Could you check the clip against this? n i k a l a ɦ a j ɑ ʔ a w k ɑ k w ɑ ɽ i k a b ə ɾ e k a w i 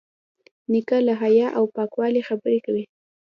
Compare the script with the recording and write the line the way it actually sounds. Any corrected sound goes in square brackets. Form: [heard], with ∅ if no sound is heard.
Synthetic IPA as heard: n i k a l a ɦ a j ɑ ʔ a w [p] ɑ k w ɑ [l] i [x] a b ə ɾ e k a w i